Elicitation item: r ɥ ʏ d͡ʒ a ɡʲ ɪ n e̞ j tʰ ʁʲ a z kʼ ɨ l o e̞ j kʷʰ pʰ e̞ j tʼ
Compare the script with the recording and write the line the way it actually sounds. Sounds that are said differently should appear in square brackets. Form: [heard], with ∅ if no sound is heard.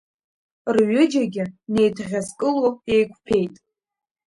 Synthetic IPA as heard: r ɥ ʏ d͡ʒ a ɡʲ ɪ n e̞ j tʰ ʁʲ a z kʼ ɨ l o e̞ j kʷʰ pʰ e̞ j tʼ